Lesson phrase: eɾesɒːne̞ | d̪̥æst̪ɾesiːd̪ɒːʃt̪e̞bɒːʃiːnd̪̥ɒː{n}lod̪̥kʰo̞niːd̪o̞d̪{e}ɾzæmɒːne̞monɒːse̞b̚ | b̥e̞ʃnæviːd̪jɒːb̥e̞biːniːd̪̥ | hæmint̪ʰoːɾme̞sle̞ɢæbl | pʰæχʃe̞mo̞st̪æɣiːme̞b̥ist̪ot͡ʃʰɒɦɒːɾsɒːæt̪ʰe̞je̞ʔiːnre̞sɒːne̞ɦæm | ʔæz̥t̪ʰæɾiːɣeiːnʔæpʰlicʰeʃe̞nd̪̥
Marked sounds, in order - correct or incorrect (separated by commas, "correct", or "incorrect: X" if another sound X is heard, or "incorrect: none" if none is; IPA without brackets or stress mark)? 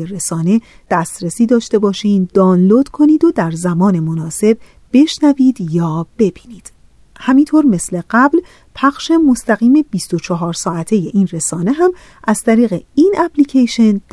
correct, incorrect: æ